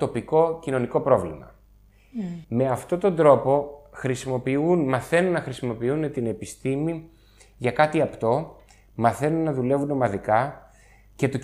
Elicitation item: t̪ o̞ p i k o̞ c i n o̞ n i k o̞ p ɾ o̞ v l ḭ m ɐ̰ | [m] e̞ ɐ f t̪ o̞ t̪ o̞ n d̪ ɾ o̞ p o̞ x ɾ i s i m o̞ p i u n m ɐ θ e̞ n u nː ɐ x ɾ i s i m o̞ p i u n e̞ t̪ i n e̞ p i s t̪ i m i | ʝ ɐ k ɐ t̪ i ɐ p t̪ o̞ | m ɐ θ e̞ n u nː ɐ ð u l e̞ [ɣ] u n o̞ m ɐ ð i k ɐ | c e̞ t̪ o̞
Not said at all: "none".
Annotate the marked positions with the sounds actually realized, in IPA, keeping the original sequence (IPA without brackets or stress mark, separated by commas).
m, v